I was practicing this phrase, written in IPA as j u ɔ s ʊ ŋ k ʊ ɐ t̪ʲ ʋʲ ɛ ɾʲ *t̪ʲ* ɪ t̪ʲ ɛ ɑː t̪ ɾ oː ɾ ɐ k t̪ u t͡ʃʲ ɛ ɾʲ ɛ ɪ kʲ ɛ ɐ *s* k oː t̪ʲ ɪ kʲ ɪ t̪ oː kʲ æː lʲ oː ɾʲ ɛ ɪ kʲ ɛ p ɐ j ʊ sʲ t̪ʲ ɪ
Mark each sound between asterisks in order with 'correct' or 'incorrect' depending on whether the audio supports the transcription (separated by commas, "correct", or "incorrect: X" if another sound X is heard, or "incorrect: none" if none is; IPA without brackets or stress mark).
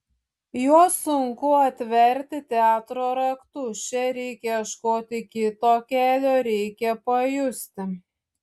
correct, incorrect: ʃ